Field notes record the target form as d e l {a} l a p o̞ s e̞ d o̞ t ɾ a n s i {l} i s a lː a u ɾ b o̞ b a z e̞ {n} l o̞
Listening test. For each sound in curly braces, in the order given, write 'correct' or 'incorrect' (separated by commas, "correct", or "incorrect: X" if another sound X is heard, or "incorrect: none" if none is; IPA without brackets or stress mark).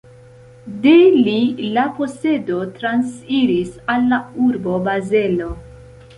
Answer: incorrect: i, incorrect: ɾ, incorrect: none